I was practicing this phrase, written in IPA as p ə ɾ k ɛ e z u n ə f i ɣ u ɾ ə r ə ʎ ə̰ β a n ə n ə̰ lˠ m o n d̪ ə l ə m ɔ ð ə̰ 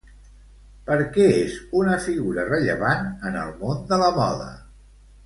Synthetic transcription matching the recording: p ə ɾ k ɛ e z u n ə f i ɣ u ɾ ə r ə ʎ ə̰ β a n ə n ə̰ lˠ m o n d̪ ə l ə m ɔ ð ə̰

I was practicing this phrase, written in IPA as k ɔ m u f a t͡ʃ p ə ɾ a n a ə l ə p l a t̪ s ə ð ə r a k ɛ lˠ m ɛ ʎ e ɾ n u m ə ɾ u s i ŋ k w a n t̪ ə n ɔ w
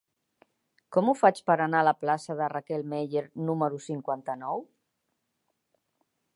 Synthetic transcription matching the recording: k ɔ m u f a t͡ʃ p ə ɾ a n a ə l ə p l a s ə ð ə r a k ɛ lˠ m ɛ ʎ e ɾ n u m ə ɾ u s i ŋ k w a n t̪ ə n ɔ w

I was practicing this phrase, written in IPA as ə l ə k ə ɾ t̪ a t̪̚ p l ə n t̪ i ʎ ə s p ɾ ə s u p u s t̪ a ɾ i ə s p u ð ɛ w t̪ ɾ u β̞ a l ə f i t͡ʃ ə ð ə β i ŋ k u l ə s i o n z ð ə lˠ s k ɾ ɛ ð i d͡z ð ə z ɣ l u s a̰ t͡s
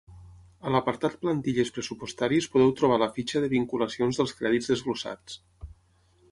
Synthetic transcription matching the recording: ə l ə p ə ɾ t̪ a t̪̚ p l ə n t̪ i ʎ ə s p ɾ ə s u p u s t̪ a ɾ i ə s p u ð ɛ w t̪ ɾ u β̞ a l ə f i t͡ʃ ə ð ə β i ŋ k u l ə s i o n z ð ə lˠ s k ɾ ɛ ð i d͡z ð ə z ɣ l u s a̰ t͡s

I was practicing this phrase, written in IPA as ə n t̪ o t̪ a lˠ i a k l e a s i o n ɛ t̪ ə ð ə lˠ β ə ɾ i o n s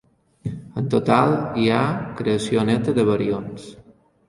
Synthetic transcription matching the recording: ə n t̪ o t̪ a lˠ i a k ɾ e ə s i o n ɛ t̪ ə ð ə β ə ɾ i o n s

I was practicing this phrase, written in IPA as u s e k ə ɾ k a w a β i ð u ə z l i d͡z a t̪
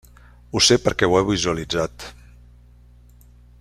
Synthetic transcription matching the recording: u s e p ə ɾ k ɛ w ɛ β i z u ə l i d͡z a t̪

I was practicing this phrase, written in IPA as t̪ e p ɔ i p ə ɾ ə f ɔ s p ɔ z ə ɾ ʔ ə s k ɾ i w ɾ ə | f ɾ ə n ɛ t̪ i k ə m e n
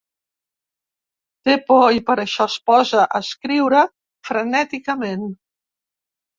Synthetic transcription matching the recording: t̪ e p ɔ i p ə ɾ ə ʃ ɔ s p ɔ z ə ʔ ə s k ɾ i w ɾ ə | f ɾ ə n ɛ t̪ i k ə m e n

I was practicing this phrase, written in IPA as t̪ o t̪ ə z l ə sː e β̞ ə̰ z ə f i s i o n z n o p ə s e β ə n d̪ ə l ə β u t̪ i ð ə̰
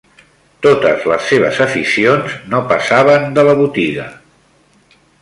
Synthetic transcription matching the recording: t̪ o t̪ ə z l ə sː e β̞ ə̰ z ə f i s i o n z n o p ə s a β ə n d̪ ə l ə β u t̪ i ɣ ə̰

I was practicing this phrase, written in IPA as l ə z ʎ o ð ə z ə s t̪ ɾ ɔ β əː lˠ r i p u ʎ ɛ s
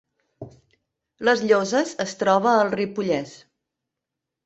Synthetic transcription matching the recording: l ə z ʎ o z ə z ə s t̪ ɾ ɔ β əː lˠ r i p u ʎ ɛ s

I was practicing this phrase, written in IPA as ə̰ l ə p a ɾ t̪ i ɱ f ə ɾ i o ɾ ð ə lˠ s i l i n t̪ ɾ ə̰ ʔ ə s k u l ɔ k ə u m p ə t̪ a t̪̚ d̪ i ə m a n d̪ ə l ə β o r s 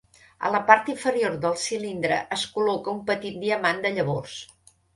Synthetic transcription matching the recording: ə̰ l ə p a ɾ t̪ i ɱ f ə ɾ i o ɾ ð ə lˠ s i l i n d̪ ɾ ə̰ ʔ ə s k u l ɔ k ə u m p ə t̪ i t̪̚ d̪ i ə m a n d̪ ə ʎ ə β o r s

